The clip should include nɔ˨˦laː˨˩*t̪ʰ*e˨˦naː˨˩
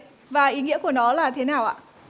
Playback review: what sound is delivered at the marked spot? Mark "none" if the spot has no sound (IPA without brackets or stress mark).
t̪ʰ